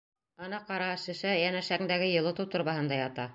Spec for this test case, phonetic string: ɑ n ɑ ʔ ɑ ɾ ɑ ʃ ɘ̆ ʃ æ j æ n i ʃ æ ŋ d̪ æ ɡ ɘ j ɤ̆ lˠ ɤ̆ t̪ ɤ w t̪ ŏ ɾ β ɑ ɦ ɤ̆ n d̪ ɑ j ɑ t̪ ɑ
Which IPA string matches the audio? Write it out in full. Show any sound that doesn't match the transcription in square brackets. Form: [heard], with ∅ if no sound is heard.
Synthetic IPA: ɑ n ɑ [q] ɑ ɾ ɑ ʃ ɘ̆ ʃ æ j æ n [æ] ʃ æ ŋ d̪ æ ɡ ɘ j ɤ̆ lˠ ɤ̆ t̪ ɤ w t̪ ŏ ɾ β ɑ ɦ ɤ̆ n d̪ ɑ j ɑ t̪ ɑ